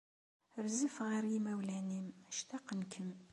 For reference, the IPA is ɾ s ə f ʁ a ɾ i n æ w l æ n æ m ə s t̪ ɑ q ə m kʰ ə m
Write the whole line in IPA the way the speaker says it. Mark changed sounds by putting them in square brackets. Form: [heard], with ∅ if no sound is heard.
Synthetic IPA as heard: ɾ [z] ə f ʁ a ɾ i [m] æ w l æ n [i] m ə [ʃ] t̪ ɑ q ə [n] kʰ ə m